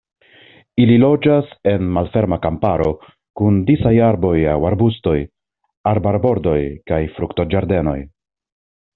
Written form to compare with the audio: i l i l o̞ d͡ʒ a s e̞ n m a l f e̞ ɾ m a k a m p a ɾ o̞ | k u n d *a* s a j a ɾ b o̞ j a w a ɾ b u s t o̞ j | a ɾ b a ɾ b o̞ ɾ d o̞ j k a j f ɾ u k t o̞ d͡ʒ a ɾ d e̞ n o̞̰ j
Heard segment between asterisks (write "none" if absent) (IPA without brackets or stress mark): i